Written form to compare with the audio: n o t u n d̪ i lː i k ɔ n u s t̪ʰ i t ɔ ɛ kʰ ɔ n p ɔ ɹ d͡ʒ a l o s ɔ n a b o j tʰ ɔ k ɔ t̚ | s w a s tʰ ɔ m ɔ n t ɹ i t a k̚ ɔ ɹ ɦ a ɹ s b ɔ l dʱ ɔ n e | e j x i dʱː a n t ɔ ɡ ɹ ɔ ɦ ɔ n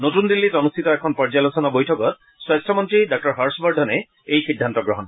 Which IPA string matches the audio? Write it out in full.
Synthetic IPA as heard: n o t u n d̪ i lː i t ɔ n u s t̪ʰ i t ɔ ɛ kʰ ɔ n p ɔ ɹ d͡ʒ a l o s ɔ n a b o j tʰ ɔ k ɔ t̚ | s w a s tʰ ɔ m ɔ n t ɹ i d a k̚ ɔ ɹ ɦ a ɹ s b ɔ ɹ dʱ ɔ n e | e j x i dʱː a n t ɔ ɡ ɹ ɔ ɦ ɔ n